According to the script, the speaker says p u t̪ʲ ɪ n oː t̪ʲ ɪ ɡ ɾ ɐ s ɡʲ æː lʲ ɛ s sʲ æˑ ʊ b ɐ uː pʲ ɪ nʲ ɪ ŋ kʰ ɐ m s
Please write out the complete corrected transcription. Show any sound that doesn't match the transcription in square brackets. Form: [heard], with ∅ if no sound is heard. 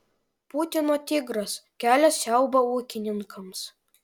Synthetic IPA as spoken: p u t̪ʲ ɪ n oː t̪ʲ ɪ ɡ ɾ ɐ s [kʲ] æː lʲ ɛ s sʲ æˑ ʊ b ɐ uː [kʲ] ɪ nʲ ɪ ŋ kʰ ɐ m s

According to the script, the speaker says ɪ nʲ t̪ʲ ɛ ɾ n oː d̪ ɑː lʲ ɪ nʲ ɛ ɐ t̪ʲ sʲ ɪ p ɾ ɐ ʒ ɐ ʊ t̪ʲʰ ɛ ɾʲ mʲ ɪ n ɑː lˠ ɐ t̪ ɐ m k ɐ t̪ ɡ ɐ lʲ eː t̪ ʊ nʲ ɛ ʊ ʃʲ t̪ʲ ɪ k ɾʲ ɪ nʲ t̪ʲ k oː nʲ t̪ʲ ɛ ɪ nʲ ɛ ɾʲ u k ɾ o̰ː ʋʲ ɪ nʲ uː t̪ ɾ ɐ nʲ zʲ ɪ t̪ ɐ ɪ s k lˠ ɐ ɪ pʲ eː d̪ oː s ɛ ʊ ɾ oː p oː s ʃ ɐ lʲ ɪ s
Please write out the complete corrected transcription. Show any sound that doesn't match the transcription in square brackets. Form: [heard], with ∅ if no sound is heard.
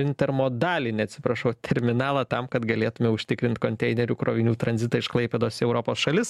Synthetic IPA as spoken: ɪ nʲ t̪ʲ ɛ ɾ [m] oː d̪ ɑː lʲ ɪ nʲ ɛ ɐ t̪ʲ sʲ ɪ p ɾ ɐ [ʃ] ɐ ʊ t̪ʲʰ ɛ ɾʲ mʲ ɪ n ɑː lˠ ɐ t̪ ɐ m k ɐ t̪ ɡ ɐ lʲ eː t̪ ʊ [mʲ] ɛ ʊ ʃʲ t̪ʲ ɪ k ɾʲ ɪ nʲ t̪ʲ k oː nʲ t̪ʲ ɛ ɪ nʲ ɛ ɾʲ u k ɾ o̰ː ʋʲ ɪ nʲ uː t̪ ɾ ɐ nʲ zʲ ɪ t̪ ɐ ɪ [ʃ] k lˠ ɐ ɪ pʲ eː d̪ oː s ɛ ʊ ɾ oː p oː s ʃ ɐ lʲ ɪ s

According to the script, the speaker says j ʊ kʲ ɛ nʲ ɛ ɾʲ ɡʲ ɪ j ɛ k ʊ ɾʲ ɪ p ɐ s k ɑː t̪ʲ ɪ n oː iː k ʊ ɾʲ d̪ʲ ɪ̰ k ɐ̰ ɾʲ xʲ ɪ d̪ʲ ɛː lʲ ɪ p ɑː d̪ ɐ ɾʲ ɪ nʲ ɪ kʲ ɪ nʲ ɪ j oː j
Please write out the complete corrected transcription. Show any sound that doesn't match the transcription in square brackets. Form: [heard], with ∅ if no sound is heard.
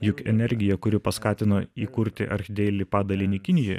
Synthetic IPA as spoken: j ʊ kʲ ɛ nʲ ɛ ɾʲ ɡʲ ɪ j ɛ k ʊ ɾʲ ɪ p ɐ s k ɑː t̪ʲ ɪ n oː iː k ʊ ɾʲ [t̪ʲ] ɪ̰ [ʔ] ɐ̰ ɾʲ xʲ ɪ d̪ʲ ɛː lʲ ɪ p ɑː d̪ ɐ [lʲ] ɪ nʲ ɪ kʲ ɪ nʲ ɪ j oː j

